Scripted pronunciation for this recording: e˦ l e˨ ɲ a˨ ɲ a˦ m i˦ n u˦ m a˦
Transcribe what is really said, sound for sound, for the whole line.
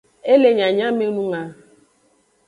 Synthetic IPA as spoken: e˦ l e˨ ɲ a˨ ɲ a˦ m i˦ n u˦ ŋ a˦